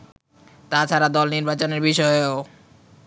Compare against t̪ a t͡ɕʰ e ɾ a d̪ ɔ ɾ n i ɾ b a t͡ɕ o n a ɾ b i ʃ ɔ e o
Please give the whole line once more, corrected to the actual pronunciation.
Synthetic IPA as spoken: t̪ a t͡ɕʰ a ɾ a d̪ ɔ l n i ɾ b a t͡ɕ o n e ɾ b i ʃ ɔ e o